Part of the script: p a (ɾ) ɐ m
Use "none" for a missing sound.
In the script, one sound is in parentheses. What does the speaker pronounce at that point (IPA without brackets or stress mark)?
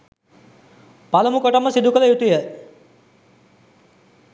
l